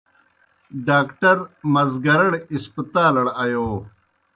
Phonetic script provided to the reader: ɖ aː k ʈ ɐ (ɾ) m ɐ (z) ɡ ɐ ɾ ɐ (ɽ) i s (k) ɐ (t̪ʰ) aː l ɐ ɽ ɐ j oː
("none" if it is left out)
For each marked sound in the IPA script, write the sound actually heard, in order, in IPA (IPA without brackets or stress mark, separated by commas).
ɾ, z, ɽ, p, t̪